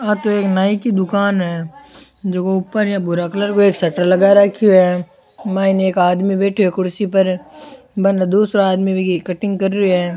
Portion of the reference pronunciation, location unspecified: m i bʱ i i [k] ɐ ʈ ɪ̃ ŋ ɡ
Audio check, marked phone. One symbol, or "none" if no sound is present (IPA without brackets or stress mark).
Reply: k